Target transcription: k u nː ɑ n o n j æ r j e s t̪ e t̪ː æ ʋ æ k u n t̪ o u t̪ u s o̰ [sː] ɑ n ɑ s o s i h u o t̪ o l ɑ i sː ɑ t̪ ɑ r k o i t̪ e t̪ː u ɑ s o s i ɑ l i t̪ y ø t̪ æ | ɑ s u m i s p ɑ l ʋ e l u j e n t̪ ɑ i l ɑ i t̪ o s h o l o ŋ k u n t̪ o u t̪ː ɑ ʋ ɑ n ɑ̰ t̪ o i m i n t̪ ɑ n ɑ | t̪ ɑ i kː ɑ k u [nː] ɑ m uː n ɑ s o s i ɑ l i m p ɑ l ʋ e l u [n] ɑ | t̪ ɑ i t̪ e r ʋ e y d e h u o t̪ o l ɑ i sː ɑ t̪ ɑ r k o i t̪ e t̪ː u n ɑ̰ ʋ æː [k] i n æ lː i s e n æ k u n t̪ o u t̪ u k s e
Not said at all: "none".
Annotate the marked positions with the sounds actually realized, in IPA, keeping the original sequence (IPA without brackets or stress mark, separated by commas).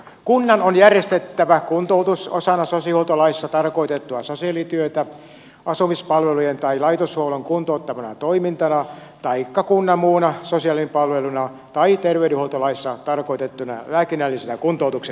s, nː, n, k